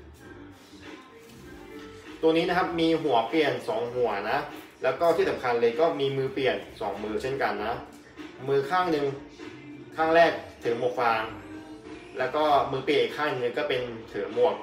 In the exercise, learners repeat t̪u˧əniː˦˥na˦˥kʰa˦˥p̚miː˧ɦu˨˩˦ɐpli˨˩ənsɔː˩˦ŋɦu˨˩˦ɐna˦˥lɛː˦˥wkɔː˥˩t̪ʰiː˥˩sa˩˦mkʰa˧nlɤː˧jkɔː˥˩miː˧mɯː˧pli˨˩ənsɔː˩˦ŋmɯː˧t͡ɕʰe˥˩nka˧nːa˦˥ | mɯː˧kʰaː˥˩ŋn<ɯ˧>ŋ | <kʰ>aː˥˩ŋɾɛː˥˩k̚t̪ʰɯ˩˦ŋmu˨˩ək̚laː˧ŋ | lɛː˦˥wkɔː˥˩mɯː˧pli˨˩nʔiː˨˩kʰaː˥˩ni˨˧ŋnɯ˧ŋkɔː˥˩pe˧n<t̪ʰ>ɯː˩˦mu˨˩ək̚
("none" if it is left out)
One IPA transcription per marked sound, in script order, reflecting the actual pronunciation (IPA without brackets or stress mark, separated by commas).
ɯ˧, kʰ, t̪ʰ